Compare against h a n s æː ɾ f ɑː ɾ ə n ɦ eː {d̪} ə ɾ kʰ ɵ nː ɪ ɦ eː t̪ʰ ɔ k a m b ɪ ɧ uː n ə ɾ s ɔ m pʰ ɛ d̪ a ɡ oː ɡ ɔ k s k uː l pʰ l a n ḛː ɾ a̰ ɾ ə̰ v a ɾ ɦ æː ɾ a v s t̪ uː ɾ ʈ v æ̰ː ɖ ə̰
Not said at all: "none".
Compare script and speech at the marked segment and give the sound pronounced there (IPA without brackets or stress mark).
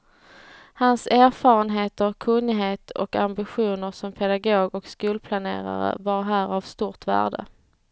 t̪